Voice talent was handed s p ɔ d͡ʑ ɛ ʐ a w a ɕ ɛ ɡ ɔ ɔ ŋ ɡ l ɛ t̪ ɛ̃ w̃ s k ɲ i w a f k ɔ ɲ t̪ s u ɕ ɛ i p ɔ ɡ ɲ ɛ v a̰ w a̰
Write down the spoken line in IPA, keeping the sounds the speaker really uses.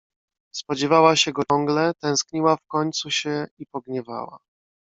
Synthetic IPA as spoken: s p ɔ d͡ʑ ɛ v a w a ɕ ɛ ɡ ɔ ɔ ŋ ɡ l ɛ t̪ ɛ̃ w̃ s k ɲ i w a f k ɔ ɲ t̪ s u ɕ ɛ i p ɔ ɡ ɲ ɛ v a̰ w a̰